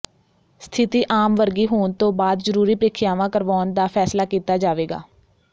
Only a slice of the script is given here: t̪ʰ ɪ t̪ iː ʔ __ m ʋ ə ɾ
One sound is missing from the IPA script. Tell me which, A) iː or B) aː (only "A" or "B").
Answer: B